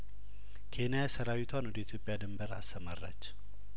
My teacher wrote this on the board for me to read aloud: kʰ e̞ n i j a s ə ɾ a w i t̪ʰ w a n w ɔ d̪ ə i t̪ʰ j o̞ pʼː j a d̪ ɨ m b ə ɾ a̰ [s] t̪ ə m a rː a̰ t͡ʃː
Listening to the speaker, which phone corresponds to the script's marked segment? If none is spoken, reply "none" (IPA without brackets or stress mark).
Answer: s